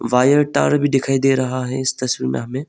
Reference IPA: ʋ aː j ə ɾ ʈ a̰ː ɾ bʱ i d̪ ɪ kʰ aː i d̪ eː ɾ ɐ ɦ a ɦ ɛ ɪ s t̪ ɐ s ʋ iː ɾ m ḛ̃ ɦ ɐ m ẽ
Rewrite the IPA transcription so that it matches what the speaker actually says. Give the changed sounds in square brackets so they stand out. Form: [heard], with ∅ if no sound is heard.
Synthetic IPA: ʋ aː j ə ɾ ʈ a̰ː ɾ bʱ i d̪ ɪ kʰ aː i d̪ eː ɾ ɐ ɦ a ɦ ɛ ɪ s t̪ ɐ s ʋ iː ɾ m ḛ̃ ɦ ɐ m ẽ